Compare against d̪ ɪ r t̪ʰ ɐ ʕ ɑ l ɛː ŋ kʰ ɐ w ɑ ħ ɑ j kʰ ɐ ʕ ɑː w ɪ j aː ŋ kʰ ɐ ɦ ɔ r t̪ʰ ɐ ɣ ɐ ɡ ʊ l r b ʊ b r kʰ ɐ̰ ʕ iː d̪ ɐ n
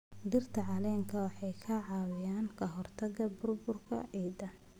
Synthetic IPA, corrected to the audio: d̪ ɪ r t̪ʰ ɐ ʕ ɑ l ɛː ŋ kʰ ɐ w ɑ ħ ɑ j kʰ ɐ ʕ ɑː w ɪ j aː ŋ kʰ ɐ ɦ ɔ r t̪ʰ ɐ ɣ ɐ b ʊ r b ʊ r kʰ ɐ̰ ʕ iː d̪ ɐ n